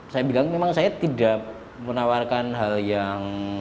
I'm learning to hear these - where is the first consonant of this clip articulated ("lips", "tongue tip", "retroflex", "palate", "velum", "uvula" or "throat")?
tongue tip